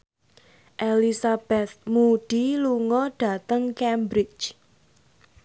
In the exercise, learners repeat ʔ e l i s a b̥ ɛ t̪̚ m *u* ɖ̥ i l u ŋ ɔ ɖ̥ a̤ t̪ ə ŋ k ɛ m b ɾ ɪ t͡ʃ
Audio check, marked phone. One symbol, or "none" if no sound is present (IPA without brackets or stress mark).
u